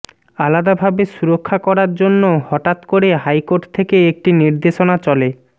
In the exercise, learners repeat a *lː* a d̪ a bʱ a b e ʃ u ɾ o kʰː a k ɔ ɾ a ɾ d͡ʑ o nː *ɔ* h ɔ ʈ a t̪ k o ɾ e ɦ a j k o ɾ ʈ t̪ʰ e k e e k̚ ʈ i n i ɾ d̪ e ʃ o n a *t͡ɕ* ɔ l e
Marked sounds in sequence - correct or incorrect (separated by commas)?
incorrect, incorrect, correct